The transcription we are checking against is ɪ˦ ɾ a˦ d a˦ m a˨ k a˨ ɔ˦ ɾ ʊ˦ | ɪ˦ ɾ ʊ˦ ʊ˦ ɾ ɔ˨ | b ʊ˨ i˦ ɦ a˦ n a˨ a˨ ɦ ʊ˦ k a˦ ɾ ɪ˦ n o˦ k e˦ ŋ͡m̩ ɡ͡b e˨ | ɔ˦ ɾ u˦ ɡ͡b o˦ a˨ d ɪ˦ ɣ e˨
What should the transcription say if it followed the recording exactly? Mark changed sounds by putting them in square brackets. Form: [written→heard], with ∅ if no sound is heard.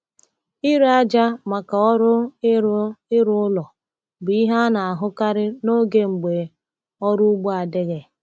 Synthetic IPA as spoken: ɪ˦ ɾ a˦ [d→d͡ʒ] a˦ m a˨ k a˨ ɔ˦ ɾ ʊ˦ | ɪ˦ ɾ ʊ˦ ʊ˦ [ɾ→l] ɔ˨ | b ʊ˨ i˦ ɦ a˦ n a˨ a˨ ɦ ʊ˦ k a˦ ɾ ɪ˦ n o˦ [k→ɡ] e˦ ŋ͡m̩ ɡ͡b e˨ | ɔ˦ ɾ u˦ ɡ͡b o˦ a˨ d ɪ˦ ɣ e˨